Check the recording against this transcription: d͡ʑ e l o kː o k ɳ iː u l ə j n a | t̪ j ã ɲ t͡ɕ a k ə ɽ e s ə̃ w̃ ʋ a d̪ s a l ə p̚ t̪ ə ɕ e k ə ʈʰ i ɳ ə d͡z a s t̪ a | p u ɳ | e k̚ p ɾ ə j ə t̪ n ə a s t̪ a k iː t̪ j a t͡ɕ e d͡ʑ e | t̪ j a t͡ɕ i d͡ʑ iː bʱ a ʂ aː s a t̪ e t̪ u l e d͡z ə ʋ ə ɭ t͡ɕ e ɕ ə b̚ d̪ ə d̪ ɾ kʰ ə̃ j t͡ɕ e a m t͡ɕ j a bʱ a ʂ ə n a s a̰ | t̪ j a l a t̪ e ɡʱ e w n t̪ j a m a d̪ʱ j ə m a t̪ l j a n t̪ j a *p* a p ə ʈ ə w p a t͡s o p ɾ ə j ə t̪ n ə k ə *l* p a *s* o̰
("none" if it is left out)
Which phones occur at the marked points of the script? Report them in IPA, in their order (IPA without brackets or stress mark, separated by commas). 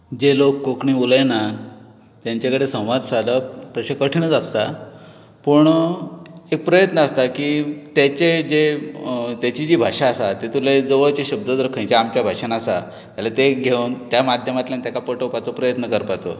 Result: k, ɾ, t͡s